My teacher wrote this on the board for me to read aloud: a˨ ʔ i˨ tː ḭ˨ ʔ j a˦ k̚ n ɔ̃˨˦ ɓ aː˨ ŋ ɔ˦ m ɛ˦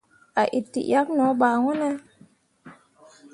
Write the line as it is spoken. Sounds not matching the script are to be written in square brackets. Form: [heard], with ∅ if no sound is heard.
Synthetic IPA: a˨ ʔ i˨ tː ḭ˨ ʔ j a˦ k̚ n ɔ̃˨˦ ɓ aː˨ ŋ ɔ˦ [n] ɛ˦